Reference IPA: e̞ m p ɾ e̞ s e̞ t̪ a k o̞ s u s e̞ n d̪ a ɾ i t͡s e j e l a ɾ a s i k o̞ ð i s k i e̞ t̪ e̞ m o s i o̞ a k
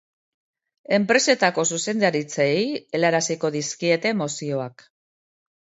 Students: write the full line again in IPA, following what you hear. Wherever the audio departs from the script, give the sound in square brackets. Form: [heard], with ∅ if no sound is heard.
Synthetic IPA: e̞ m p ɾ e̞ s e̞ t̪ a k o̞ s u s e̞ n d̪ a ɾ i t͡s e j e l a ɾ a s i k o̞ ð i s k i e̞ t̪ e̞ m o s i o̞ a k